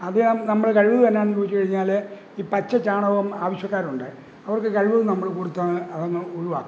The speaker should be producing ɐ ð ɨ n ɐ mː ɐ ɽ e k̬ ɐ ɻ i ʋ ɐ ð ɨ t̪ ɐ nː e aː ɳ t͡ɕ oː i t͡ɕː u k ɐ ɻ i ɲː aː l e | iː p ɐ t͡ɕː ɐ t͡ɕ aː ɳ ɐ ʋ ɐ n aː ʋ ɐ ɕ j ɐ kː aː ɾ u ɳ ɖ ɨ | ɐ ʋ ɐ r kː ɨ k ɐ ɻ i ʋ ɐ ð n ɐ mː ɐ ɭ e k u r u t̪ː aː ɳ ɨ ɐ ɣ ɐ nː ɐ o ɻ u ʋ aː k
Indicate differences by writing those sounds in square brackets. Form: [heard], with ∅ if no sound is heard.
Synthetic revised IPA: ɐ ð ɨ n ɐ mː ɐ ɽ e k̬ ɐ ɻ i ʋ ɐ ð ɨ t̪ ɐ nː e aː ɳ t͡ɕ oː i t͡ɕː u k ɐ ɻ i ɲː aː l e | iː p ɐ t͡ɕː ɐ t͡ɕ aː ɳ ɐ ʋ ɐ [m] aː ʋ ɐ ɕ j ɐ kː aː ɾ u ɳ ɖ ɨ | ɐ ʋ ɐ r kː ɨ k ɐ ɻ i ʋ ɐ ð n ɐ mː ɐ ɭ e k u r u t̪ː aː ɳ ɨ ɐ [ð] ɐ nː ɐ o ɻ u ʋ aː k